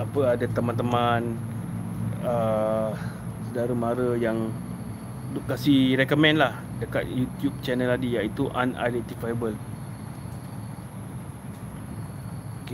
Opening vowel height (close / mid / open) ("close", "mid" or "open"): open